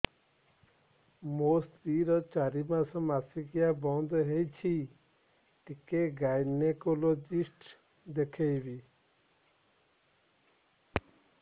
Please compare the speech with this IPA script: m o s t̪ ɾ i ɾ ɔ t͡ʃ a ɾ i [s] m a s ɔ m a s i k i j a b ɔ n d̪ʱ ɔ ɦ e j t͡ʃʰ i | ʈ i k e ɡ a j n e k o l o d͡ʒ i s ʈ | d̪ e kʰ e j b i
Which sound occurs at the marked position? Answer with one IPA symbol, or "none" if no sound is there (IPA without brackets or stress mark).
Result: none